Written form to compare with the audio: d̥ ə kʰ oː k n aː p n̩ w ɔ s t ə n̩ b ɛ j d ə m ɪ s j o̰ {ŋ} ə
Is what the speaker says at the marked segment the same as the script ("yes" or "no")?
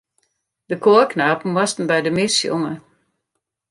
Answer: yes